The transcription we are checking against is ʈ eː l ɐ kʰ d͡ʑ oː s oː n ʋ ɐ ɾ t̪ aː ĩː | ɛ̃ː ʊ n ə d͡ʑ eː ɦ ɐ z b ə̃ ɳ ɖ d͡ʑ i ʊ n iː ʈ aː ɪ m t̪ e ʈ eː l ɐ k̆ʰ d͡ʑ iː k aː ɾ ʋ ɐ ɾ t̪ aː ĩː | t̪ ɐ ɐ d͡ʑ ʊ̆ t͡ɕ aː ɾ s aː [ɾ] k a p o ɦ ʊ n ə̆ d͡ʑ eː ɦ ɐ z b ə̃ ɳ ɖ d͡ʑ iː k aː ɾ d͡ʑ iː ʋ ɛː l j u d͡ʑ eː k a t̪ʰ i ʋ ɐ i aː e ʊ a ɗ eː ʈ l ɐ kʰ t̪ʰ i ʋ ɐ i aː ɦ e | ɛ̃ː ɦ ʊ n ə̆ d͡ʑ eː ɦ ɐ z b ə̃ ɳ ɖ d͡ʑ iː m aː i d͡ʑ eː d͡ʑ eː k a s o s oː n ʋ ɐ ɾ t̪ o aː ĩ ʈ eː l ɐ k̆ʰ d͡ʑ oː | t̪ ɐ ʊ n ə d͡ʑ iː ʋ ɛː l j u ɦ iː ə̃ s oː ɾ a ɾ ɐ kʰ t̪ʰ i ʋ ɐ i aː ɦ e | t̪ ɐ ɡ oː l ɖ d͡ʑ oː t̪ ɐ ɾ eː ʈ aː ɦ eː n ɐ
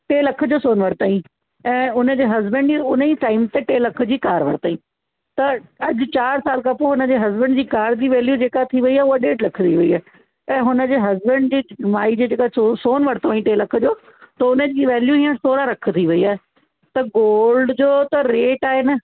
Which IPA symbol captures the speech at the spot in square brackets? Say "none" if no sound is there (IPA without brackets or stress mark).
l